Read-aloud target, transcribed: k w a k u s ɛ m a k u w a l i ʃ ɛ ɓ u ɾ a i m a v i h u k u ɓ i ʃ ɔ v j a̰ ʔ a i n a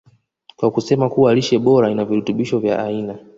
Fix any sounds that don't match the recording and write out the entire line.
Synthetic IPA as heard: k w a k u s ɛ m a k u w a l i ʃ ɛ ɓ ɔ ɾ a i n a v i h u t u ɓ i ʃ ɔ v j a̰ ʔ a i n a